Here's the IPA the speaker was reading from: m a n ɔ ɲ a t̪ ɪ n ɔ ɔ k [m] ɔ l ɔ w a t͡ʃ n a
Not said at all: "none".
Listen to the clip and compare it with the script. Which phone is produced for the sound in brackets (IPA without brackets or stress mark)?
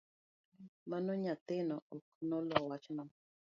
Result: n